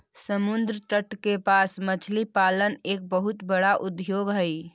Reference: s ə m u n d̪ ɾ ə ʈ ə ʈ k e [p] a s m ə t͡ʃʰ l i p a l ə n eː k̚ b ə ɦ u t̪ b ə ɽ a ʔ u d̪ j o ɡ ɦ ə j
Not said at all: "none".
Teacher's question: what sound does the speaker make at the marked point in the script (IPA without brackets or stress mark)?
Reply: p